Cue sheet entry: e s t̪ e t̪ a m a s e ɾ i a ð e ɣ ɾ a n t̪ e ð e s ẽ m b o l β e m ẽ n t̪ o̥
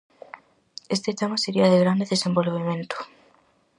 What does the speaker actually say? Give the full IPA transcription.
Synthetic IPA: e s t̪ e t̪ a m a s e ɾ i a ð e ɣ ɾ a n d̪ e ð e s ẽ m b o l β e m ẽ n t̪ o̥